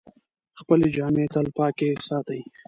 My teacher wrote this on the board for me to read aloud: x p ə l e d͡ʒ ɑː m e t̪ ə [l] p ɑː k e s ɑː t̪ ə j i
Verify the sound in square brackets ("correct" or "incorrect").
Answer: correct